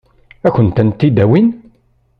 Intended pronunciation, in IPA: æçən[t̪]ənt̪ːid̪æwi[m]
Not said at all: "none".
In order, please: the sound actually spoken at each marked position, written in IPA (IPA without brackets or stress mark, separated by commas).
t̪, n